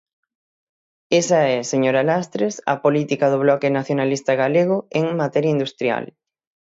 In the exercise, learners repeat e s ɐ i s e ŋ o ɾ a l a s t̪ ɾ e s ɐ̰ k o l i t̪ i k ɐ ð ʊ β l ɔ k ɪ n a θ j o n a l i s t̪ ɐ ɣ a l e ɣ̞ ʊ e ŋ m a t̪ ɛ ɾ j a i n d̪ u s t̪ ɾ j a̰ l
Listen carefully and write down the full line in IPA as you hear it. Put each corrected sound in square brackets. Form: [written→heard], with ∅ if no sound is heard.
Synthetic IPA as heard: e s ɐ [i→ɛ] s e [ŋ→ɲ] o ɾ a l a s t̪ ɾ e s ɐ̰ [k→p] o l i t̪ i k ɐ ð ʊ β l ɔ k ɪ n a θ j o n a l i s t̪ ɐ ɣ a l e ɣ̞ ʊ e ŋ m a t̪ ɛ ɾ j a i n d̪ u s t̪ ɾ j a̰ l

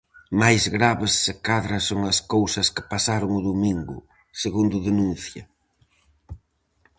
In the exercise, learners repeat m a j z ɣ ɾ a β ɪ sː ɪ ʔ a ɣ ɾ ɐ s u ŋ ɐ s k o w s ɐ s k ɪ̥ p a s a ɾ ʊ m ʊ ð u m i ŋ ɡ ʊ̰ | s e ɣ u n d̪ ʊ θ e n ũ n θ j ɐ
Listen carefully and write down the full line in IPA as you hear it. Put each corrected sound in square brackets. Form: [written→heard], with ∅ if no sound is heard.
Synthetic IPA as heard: m a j z ɣ ɾ a β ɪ sː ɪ [ʔ→k] a [ɣ→ð] ɾ ɐ s [u→o] ŋ ɐ s k o w s ɐ s k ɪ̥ p a s a ɾ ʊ [m→ŋ] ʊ ð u m i ŋ ɡ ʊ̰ | s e ɣ u n d̪ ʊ [θ→ð] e n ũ n θ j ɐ

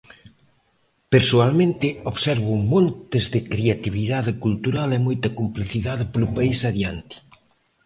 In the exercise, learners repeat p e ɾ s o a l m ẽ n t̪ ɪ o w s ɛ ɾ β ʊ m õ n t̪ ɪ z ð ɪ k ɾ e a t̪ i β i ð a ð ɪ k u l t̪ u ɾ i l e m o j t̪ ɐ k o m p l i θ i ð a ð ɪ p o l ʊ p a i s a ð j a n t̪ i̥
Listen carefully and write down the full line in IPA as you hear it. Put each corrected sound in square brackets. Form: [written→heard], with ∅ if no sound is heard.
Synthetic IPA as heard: p e ɾ s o a l m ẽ n t̪ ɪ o [w→β] s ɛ ɾ β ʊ m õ n t̪ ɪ z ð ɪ k ɾ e a t̪ i β i ð a ð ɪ k u l t̪ u ɾ [i→a] l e m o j t̪ ɐ k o m p l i θ i ð a ð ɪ p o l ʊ p a i s a ð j a n t̪ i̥

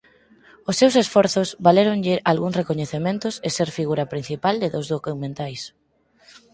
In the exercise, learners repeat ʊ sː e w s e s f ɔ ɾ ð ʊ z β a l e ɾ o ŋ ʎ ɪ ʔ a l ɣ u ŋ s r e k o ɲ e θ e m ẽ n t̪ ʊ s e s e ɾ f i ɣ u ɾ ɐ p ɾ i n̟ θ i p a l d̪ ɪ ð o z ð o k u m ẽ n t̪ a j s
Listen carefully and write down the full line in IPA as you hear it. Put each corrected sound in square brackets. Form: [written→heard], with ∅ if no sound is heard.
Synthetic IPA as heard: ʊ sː e w s e s f ɔ ɾ [ð→θ] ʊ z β a l e ɾ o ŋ ʎ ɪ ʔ a l ɣ u ŋ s r e k o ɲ e θ e m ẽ n t̪ ʊ s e s e ɾ f i ɣ u ɾ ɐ p ɾ i n̟ θ i p a l d̪ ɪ ð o z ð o k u m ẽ n t̪ a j s

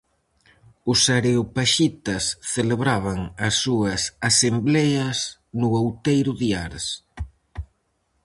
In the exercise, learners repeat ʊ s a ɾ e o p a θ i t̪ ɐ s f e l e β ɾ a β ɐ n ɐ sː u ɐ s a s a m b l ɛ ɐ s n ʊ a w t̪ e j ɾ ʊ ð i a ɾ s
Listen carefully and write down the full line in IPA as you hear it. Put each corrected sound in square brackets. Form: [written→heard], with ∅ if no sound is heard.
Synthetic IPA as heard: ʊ s a ɾ e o p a [θ→ʃ] i t̪ ɐ s [f→θ] e l e β ɾ a β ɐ [n→ŋ] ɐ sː u ɐ s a s [a→e] m b l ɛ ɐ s n ʊ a w t̪ e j ɾ ʊ ð i a ɾ s

